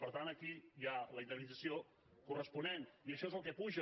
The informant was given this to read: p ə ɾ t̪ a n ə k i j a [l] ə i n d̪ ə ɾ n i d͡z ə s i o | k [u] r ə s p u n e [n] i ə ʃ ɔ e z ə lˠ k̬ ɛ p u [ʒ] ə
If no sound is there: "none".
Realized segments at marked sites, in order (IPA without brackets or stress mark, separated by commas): l, u, n, ʒ